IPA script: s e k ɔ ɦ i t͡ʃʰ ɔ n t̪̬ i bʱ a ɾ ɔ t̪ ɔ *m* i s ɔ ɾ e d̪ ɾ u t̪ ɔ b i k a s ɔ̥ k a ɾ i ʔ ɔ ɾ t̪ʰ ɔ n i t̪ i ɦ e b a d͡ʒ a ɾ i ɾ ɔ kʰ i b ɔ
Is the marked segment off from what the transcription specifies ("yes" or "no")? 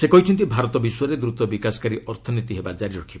yes